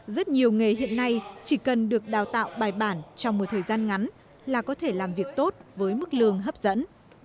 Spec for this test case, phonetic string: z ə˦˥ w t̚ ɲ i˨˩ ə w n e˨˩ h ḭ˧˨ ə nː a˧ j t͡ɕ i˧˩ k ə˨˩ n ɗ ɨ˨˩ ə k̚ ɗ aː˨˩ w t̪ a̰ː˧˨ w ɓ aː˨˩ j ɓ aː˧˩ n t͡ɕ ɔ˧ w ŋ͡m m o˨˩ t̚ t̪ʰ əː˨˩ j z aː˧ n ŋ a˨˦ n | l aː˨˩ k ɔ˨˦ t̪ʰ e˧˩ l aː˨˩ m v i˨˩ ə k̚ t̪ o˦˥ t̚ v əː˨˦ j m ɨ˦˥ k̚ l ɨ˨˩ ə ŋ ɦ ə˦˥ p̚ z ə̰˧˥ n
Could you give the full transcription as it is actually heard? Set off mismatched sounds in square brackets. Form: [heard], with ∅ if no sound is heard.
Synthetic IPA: z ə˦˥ [∅] t̚ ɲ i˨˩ ə w [ŋ] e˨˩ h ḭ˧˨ ə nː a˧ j t͡ɕ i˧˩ k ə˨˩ n ɗ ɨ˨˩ ə k̚ ɗ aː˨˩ w t̪ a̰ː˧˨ w ɓ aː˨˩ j ɓ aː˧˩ n t͡ɕ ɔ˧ w ŋ͡m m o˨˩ t̚ t̪ʰ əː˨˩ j z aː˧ n ŋ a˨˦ n | l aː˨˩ k ɔ˨˦ t̪ʰ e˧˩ l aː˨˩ m v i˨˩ ə k̚ t̪ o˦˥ t̚ v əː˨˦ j m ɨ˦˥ k̚ l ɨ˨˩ ə ŋ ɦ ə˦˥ p̚ z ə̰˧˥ n